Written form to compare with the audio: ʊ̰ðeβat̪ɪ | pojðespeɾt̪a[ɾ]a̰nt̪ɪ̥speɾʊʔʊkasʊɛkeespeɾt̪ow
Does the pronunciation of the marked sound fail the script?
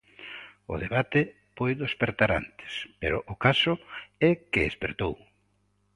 no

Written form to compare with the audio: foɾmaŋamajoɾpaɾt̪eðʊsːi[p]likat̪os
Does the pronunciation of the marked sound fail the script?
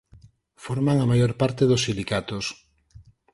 yes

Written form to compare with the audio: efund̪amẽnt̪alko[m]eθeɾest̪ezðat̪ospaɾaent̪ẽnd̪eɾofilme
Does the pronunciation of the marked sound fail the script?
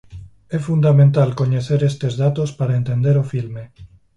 yes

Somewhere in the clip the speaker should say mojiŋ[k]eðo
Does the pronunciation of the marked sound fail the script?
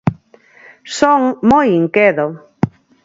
no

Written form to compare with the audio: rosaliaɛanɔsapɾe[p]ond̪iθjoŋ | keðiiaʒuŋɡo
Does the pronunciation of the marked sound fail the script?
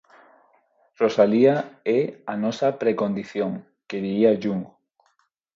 yes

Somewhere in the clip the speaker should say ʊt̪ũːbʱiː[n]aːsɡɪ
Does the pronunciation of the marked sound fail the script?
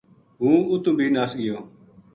no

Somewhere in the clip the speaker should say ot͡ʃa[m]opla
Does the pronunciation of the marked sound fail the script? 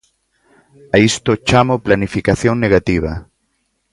no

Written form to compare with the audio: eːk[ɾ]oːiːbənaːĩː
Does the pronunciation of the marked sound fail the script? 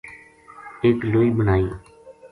yes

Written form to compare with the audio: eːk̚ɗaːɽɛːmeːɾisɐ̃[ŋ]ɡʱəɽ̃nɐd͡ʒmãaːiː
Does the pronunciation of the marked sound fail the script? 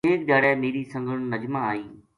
no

